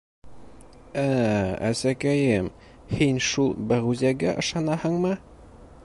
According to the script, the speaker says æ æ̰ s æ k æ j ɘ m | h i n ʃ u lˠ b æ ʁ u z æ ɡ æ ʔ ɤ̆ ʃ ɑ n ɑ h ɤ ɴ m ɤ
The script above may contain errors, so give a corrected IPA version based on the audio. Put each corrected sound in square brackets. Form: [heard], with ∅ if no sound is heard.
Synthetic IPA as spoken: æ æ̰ s æ k æ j ɘ m | h i n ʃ u lˠ b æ ʁ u z æ ɡ æ ʔ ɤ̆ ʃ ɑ n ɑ h ɤ ɴ m ɤ